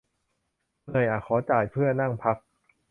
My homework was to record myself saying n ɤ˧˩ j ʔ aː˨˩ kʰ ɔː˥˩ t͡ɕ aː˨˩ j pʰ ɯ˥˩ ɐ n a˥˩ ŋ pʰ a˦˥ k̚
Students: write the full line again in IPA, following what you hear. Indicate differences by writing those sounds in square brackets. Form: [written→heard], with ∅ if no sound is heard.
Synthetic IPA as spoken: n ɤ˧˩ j ʔ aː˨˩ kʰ [ɔː˥˩→ɔː˩˦] t͡ɕ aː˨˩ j pʰ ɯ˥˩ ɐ n a˥˩ ŋ pʰ a˦˥ k̚